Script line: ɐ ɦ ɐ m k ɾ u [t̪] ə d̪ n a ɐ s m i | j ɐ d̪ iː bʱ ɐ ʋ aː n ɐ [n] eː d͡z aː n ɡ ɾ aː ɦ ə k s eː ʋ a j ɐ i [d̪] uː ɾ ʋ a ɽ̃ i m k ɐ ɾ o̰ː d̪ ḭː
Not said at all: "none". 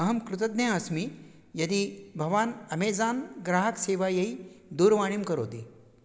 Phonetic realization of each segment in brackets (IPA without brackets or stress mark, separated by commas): t̪, m, d̪